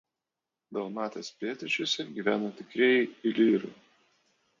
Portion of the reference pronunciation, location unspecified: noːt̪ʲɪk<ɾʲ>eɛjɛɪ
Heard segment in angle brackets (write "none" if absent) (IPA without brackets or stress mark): ɾʲ